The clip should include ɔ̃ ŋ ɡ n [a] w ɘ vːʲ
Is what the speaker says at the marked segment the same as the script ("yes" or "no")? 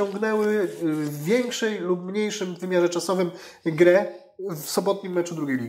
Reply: no